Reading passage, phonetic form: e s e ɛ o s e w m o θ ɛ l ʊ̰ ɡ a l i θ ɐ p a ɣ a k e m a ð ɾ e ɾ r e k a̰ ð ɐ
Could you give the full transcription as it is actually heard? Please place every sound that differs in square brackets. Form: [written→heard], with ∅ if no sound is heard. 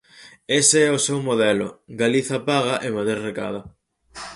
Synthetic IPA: e s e ɛ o s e w m o [θ→ð] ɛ l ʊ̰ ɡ a l i θ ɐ p a ɣ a [k→ʔ] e m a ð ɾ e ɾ r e k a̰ ð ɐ